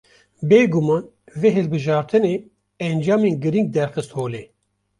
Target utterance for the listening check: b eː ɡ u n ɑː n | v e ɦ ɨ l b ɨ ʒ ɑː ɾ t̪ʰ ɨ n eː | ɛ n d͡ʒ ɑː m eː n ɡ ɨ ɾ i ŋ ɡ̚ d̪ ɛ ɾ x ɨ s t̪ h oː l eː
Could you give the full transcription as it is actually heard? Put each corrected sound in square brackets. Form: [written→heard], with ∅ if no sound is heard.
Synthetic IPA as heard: b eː ɡ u [n→m] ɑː n | v e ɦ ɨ l b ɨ ʒ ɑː ɾ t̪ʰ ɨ n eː | ɛ n d͡ʒ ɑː m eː n ɡ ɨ ɾ i ŋ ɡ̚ d̪ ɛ ɾ x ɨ s t̪ h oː l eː